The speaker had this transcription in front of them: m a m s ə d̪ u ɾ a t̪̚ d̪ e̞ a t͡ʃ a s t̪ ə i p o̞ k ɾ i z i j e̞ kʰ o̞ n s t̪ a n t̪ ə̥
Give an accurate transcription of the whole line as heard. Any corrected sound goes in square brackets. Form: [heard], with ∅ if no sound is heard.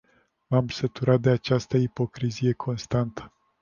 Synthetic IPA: m a m s ə [t̪] u ɾ a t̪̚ d̪ e̞ a t͡ʃ a s t̪ ə i p o̞ k ɾ i z i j e̞ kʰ o̞ n s t̪ a n t̪ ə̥